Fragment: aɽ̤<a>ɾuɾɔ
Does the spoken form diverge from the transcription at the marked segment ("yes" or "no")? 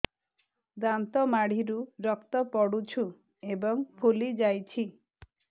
yes